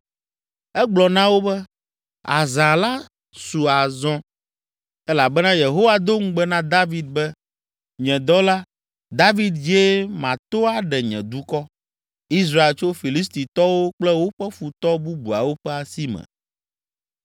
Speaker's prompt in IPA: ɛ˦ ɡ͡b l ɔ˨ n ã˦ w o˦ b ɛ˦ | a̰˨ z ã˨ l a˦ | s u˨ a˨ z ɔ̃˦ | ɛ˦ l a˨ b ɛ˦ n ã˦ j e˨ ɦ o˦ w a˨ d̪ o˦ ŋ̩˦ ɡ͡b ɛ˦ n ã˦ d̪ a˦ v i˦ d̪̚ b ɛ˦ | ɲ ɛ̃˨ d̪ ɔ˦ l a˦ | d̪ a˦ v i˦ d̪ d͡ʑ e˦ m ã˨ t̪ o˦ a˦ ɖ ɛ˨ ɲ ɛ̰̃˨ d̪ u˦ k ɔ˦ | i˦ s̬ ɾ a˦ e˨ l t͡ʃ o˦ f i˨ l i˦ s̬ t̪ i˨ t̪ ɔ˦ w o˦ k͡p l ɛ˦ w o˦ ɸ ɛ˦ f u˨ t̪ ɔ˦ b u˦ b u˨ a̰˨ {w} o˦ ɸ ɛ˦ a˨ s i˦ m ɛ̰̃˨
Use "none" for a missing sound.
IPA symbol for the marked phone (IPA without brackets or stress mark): w